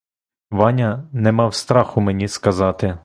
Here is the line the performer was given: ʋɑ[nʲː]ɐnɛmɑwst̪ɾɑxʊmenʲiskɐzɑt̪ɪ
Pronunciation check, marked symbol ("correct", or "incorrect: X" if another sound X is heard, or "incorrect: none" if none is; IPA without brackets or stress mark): incorrect: nʲ